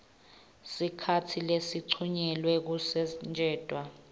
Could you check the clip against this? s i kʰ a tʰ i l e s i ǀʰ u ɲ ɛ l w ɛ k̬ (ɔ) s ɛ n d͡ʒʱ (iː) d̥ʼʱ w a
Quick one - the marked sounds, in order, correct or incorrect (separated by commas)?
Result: incorrect, incorrect